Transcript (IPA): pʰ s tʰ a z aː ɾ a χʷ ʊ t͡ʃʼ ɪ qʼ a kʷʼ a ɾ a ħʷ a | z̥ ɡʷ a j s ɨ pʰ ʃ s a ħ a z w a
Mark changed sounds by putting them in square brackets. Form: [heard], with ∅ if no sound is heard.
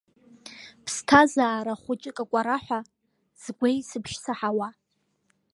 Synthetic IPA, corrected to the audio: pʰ s tʰ a z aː ɾ a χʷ ʊ t͡ʃʼ ɪ [kʼ] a kʷʼ a ɾ a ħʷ a | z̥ ɡʷ [e] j s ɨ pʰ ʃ s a ħ a [∅] w a